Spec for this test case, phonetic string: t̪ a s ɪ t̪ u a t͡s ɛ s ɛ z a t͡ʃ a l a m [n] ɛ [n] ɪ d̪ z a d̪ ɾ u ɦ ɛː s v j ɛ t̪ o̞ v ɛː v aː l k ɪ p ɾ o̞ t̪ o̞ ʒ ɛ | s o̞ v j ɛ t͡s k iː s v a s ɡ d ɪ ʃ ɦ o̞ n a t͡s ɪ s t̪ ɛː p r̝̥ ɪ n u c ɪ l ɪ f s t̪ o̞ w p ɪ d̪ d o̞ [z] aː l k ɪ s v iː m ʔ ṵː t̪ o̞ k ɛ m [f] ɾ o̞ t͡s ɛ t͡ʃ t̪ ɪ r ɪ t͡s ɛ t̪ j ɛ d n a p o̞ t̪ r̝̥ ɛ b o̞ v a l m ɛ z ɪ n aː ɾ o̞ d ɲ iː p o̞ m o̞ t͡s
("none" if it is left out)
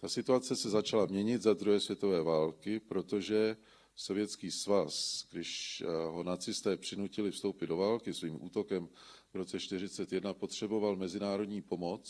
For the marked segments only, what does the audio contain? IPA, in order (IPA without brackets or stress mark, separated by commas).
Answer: ɲ, ɲ, v, v